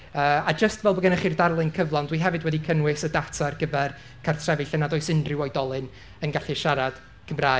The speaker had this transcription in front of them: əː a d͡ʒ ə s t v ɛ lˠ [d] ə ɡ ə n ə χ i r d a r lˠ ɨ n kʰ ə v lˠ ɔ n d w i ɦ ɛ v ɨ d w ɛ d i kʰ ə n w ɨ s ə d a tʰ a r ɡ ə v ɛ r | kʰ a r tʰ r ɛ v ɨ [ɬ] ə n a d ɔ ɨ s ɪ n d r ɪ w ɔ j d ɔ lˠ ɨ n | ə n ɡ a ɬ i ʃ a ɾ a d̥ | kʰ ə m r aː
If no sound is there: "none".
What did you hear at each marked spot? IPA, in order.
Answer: b, ɬ

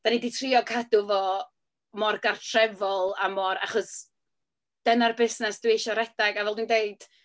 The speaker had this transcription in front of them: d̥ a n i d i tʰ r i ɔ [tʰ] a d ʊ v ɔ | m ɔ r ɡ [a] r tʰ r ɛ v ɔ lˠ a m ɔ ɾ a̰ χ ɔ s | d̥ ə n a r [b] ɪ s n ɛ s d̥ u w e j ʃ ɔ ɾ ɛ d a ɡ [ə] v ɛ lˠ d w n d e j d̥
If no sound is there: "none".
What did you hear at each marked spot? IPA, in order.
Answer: kʰ, a, b, a

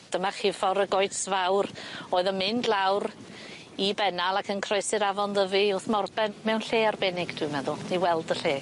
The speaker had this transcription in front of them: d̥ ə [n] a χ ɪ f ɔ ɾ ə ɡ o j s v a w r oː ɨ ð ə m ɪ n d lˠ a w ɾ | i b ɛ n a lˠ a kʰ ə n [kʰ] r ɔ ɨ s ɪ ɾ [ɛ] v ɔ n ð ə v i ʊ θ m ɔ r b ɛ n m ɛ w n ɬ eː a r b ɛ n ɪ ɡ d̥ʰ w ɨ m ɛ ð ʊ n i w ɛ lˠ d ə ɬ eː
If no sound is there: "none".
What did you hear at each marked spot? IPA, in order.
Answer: m, kʰ, a

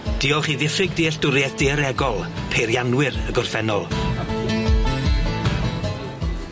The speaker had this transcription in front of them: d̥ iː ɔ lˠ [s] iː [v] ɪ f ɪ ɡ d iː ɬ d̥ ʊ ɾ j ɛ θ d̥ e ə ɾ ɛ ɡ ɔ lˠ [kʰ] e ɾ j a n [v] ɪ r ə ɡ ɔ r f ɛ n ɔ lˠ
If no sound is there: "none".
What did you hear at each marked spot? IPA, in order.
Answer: χ, ð, pʰ, w

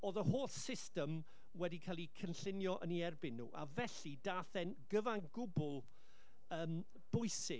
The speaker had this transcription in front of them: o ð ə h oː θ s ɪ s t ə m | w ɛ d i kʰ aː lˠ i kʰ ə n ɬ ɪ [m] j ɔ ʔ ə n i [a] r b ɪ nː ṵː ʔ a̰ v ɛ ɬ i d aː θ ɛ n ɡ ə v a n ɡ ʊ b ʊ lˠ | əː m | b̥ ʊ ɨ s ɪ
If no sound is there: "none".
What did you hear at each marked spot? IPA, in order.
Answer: n, ɛ

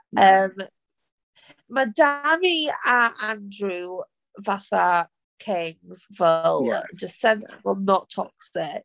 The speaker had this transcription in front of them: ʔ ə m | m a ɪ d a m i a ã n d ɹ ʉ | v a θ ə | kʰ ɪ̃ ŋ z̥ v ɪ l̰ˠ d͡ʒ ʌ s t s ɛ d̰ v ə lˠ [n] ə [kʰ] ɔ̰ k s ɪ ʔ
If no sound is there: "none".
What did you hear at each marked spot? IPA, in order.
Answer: n, tʰ

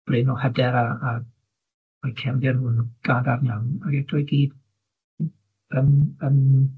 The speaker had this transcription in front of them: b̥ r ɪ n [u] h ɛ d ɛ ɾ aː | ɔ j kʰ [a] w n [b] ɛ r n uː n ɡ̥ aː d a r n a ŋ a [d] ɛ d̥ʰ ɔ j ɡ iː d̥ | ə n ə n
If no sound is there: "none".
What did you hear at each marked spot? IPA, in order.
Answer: ɔ, ɛ, d, ɡ

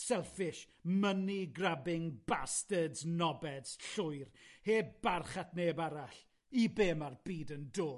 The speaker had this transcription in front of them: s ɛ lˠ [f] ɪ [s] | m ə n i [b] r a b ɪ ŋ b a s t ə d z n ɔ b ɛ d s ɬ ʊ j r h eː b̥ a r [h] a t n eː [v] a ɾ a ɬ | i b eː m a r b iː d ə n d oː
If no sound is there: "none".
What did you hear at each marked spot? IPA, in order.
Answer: f, ʃ, ɡ, χ, b

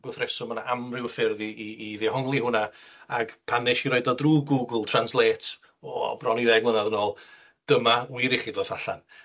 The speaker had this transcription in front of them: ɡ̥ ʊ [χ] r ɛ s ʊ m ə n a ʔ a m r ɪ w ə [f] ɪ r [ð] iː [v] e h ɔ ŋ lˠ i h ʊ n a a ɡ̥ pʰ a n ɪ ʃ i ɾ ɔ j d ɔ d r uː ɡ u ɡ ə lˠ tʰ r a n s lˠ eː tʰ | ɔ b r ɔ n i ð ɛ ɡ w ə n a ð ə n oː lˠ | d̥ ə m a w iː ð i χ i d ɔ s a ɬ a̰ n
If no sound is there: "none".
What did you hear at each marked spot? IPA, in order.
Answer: θ, f, ð, ð

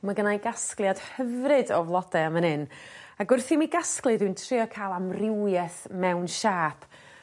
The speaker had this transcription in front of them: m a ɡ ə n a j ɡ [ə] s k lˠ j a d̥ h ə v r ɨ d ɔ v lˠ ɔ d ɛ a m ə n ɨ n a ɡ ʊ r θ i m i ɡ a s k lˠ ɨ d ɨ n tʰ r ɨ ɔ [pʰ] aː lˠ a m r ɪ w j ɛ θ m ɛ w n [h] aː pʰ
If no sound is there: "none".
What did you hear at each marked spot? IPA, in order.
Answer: a, kʰ, ʃ

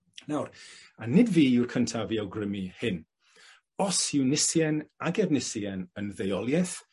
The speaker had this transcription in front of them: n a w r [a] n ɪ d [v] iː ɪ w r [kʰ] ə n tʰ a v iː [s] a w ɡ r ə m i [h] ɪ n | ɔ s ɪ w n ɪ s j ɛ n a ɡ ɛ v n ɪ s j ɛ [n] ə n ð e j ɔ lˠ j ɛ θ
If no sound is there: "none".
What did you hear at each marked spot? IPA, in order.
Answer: a, v, kʰ, none, h, n

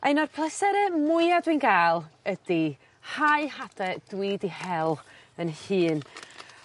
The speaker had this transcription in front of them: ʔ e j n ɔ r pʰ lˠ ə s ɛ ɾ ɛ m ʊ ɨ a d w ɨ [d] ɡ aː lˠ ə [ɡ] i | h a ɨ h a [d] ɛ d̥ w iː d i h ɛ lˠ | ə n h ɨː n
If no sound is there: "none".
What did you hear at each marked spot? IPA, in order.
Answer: n, d, d

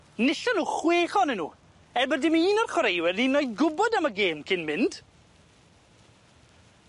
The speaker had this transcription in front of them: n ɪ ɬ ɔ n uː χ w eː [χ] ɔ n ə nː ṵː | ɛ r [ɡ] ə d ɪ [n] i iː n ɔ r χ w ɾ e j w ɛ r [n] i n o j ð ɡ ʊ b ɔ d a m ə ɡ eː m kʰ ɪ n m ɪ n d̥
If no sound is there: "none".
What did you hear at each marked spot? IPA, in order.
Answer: χ, b, m, n

